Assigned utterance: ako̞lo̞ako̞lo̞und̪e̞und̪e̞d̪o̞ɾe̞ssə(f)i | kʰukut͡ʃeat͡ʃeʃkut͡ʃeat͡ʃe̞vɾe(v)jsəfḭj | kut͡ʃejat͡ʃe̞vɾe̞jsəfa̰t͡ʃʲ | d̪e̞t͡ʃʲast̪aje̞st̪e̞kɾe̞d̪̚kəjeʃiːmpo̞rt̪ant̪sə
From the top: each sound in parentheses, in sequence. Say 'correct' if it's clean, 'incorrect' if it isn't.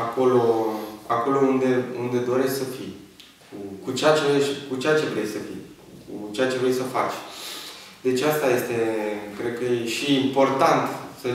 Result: correct, incorrect: none

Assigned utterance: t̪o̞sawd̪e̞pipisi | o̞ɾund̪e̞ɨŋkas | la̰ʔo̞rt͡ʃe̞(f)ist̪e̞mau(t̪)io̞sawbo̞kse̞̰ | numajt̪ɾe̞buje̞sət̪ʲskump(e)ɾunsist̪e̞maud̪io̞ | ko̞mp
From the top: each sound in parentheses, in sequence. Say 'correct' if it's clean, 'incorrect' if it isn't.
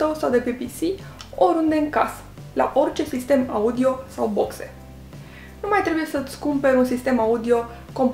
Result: incorrect: s, incorrect: d̪, correct

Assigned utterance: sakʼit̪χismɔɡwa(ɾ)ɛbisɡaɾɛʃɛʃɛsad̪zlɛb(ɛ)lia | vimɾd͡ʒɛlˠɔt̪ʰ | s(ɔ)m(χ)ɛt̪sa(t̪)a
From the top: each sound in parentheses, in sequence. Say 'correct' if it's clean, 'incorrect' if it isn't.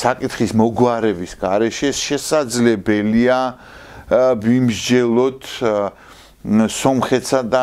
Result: correct, correct, correct, correct, incorrect: d̪

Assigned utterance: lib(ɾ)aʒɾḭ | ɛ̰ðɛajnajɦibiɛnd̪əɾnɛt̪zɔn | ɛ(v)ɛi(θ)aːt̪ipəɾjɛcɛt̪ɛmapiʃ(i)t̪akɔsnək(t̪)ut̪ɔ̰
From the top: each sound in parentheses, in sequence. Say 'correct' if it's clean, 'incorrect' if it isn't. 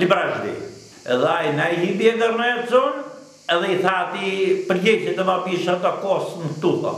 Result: correct, incorrect: ð, correct, incorrect: a, correct

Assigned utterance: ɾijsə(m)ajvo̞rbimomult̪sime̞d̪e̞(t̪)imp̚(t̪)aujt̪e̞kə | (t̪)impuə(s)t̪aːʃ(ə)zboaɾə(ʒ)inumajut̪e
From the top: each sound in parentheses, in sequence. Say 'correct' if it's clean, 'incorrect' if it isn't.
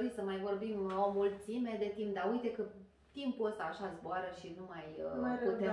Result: correct, correct, incorrect: d̪, correct, correct, incorrect: a, incorrect: ʃ

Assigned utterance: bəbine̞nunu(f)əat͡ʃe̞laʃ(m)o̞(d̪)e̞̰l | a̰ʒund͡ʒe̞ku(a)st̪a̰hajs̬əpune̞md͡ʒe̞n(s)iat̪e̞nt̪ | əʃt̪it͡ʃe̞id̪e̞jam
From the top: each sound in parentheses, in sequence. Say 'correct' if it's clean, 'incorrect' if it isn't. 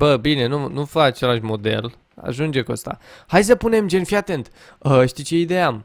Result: correct, correct, correct, incorrect: ə, incorrect: f

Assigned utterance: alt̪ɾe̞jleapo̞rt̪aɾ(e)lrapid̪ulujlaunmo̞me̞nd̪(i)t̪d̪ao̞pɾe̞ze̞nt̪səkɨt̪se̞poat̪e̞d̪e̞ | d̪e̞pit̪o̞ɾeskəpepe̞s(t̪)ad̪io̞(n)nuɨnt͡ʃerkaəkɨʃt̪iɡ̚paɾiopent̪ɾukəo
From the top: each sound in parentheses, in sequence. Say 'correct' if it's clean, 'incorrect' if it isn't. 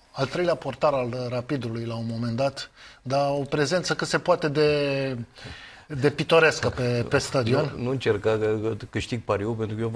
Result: incorrect: a, incorrect: a, correct, correct

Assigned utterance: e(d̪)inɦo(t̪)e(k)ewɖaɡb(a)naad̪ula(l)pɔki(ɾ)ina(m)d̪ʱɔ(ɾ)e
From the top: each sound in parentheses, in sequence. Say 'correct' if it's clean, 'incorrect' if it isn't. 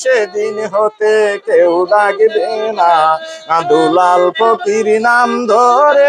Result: correct, correct, correct, incorrect: e, correct, correct, correct, correct

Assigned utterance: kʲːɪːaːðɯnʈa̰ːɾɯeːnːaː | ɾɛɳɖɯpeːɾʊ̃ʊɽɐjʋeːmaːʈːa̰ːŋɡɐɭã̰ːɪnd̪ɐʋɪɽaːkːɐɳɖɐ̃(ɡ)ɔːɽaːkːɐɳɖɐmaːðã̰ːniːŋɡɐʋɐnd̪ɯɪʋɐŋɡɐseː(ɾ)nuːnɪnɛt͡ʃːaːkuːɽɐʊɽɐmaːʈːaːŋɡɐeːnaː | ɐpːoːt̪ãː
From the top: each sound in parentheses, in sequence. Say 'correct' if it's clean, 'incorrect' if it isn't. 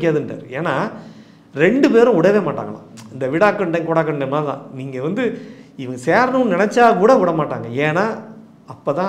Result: incorrect: k, correct

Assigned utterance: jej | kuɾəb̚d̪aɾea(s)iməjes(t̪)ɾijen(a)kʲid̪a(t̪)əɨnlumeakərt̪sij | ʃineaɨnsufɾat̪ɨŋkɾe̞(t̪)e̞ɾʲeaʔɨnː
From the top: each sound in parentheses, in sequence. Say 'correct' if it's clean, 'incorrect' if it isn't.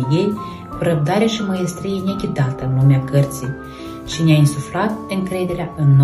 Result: incorrect: ʃ, correct, incorrect: e, correct, incorrect: d̪

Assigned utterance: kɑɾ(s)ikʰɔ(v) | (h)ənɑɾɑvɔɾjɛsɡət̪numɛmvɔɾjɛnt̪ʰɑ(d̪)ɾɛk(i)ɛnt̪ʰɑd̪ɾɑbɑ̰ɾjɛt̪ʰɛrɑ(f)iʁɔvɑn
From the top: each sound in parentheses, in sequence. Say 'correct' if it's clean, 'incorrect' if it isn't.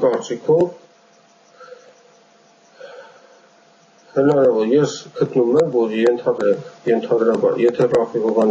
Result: incorrect: t͡s, correct, correct, correct, incorrect: j, correct

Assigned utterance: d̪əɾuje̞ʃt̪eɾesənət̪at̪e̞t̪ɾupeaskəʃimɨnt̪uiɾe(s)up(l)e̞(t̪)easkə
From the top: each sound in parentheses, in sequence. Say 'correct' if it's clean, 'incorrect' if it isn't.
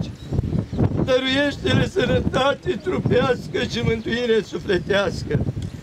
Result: correct, correct, correct

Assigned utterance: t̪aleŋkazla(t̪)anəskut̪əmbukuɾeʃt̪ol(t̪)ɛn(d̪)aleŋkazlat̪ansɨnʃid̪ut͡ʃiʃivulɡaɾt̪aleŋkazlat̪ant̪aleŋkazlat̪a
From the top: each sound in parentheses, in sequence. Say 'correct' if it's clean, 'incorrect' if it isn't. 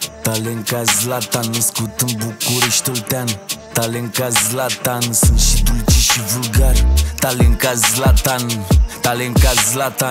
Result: correct, correct, incorrect: t̪

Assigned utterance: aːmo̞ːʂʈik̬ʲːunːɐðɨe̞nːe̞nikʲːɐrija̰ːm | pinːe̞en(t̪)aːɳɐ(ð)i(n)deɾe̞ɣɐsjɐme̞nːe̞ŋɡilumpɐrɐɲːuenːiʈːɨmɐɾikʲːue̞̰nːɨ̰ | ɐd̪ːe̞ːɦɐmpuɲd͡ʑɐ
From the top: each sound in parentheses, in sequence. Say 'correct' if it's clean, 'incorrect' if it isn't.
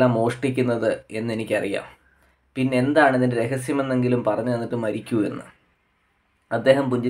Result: incorrect: d̪, correct, correct

